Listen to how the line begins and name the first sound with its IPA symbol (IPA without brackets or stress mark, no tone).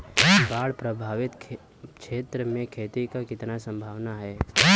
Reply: b